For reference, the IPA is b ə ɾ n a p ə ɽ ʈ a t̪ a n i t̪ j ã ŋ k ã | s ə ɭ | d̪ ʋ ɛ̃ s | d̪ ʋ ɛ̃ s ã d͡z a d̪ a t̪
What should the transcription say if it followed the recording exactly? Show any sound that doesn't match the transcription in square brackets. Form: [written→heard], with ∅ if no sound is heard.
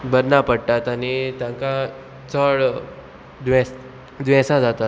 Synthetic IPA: b ə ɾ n a p ə ɽ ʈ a t̪ a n i t̪ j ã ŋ k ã | [s→t͡s] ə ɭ | d̪ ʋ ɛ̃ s | d̪ ʋ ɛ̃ s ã d͡z a [d̪→t̪] a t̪